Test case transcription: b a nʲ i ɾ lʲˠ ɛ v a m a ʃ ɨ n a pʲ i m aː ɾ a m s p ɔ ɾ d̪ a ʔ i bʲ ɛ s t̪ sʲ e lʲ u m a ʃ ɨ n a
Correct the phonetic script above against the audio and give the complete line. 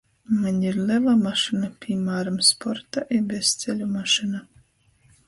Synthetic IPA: m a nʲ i ɾ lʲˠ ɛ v a m a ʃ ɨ n a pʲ i m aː ɾ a m s p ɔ ɾ t̪ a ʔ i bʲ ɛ s t̪ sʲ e lʲ u m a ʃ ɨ n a